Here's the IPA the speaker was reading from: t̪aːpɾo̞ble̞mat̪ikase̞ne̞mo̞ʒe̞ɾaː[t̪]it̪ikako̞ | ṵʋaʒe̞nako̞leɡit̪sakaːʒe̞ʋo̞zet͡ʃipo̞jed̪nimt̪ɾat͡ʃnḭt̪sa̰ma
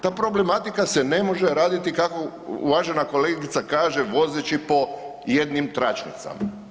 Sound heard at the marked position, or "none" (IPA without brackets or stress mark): d̪